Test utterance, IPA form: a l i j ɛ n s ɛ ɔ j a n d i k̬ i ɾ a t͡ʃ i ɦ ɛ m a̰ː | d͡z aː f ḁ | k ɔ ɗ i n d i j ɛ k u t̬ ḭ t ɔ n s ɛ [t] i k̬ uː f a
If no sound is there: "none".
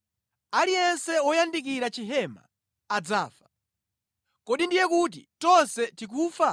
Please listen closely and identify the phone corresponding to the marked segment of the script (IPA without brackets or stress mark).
t